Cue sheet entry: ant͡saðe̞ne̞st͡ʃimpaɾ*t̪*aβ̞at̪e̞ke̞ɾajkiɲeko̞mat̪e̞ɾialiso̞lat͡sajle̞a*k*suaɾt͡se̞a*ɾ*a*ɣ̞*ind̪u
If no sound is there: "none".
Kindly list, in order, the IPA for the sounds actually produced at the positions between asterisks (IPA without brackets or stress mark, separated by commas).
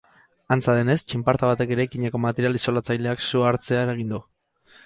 t̪, k, ɾ, ɣ̞